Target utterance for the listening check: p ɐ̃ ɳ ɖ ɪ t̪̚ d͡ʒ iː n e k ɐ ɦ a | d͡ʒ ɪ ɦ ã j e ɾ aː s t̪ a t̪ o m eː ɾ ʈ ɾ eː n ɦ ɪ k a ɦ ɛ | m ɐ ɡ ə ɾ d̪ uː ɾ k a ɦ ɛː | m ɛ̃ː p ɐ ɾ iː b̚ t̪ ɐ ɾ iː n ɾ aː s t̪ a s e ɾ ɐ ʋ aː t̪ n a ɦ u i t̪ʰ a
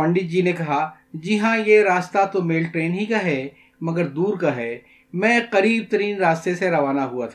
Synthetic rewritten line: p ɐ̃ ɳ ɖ ɪ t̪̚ d͡ʒ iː n e k ɐ ɦ a | d͡ʒ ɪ ɦ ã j e ɾ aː s t̪ a t̪ o m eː l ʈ ɾ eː n ɦ i k a ɦ ɛ | m ɐ ɡ ə ɾ d̪ uː ɾ k a ɦ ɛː | m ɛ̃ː q ɐ ɾ iː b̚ t̪ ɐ ɾ iː n ɾ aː s t̪ e s e ɾ ɐ ʋ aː n a ɦ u a t̪ʰ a